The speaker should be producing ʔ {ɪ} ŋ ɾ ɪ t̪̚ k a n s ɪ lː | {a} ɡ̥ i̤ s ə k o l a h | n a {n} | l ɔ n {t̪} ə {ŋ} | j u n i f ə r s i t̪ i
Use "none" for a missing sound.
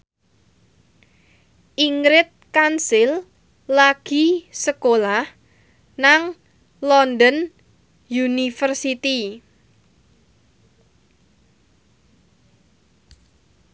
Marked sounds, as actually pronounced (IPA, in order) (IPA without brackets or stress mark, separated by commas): i, a, ŋ, d̪, n